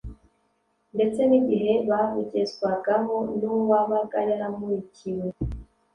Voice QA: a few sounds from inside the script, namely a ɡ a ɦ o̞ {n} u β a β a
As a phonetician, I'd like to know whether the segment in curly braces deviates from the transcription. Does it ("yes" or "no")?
no